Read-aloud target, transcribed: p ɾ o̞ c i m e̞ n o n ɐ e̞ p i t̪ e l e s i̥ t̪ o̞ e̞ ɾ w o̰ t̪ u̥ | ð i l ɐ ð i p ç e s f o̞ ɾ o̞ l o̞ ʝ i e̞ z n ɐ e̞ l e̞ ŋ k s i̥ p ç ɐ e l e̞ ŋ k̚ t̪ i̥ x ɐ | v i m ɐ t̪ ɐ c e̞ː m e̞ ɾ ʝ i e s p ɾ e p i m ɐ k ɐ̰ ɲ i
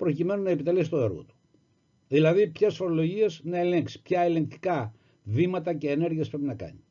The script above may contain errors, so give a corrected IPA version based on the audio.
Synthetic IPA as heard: p ɾ o̞ c i m e̞ n u n ɐ e̞ p i t̪ e l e s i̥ t̪ o̞ e̞ ɾ ɣ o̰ t̪ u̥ | ð i l ɐ ð i p ç e s f o̞ ɾ o̞ l o̞ ʝ i e̞ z n ɐ e̞ l e̞ ŋ k s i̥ p ç ɐ e l e̞ ŋ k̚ t̪ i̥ k ɐ | v i m ɐ t̪ ɐ c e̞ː n e̞ ɾ ʝ i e s p ɾ e p i n ɐ k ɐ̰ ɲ i